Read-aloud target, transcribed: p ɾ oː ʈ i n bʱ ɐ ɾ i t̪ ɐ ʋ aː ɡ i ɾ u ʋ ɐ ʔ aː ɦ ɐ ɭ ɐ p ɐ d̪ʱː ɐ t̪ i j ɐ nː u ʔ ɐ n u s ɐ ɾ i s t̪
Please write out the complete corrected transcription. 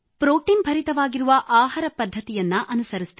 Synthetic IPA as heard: p ɾ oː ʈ i n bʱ ɐ ɾ i t̪ ɐ ʋ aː ɡ i ɾ u ʋ ɐ ʔ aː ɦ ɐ ɾ ɐ p ɐ d̪ʱː ɐ t̪ i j ɐ nː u ʔ ɐ n u s ɐ ɾ i s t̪